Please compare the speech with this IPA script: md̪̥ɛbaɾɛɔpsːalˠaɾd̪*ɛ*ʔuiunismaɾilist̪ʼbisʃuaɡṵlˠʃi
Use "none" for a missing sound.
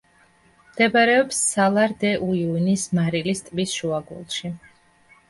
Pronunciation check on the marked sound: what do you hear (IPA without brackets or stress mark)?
ɛ